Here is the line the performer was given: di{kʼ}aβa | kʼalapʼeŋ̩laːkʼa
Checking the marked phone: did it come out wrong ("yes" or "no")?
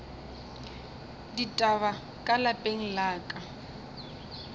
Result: yes